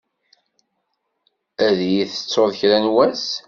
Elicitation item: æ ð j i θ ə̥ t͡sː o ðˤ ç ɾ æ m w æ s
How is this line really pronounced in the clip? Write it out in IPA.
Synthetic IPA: æ ð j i θ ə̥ t͡sː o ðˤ ç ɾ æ n w æ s